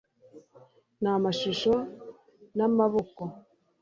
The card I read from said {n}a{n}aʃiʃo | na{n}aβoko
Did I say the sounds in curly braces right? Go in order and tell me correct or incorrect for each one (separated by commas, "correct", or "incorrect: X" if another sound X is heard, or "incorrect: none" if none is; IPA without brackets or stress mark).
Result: correct, incorrect: m, incorrect: m